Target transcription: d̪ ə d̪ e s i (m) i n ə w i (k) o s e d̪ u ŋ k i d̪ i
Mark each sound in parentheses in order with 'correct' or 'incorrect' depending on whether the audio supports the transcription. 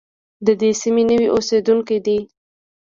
correct, incorrect: ʔ

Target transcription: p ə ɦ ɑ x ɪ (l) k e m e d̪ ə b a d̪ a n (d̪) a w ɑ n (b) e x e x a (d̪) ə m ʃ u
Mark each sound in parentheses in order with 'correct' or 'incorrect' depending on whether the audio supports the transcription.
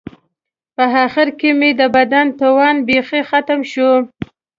incorrect: ɾ, incorrect: t̪, correct, incorrect: t̪

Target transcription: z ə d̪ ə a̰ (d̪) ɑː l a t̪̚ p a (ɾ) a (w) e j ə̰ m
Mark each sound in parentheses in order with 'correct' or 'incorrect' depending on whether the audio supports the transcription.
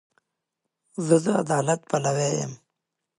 correct, incorrect: l, correct

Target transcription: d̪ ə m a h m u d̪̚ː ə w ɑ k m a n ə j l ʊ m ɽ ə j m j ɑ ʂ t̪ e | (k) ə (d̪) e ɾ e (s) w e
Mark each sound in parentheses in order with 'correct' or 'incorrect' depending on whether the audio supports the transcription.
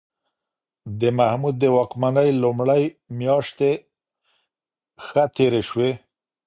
incorrect: x, incorrect: t̪, incorrect: ʃ

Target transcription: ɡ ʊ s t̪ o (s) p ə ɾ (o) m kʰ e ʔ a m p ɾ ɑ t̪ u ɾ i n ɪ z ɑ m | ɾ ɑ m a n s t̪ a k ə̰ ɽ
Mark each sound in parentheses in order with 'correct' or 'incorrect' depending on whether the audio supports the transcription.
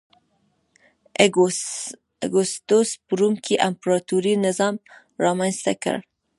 correct, incorrect: u

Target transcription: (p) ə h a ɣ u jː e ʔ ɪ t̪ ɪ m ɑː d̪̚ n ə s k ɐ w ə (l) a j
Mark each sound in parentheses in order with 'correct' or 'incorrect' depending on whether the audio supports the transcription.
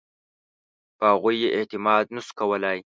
correct, correct

